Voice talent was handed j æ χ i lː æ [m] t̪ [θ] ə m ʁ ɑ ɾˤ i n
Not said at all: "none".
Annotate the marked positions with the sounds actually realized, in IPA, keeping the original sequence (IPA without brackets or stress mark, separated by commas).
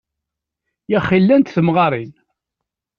n, θ